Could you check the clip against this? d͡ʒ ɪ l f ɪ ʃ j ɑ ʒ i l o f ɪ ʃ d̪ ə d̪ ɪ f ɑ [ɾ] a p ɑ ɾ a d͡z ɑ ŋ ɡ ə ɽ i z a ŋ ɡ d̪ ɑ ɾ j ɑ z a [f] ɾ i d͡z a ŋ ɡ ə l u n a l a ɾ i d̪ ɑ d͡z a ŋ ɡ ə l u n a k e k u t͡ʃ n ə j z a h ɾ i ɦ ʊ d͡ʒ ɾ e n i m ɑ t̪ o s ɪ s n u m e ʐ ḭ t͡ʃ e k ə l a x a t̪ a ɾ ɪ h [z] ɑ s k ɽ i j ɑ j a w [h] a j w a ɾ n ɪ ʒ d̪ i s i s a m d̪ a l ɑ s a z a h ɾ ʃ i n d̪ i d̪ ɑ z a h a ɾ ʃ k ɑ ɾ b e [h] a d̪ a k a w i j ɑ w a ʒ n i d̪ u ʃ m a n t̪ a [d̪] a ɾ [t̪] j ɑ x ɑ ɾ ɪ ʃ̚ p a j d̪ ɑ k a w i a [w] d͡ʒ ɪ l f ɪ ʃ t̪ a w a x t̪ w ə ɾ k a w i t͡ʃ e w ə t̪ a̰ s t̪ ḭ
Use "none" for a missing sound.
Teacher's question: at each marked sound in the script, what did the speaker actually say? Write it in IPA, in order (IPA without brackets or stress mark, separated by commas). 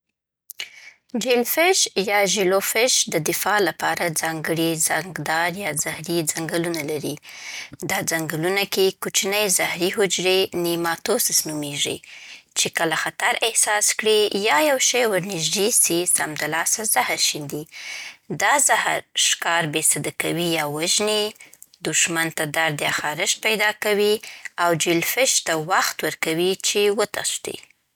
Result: l, h, s, ʃ, s, d̪, d̪, w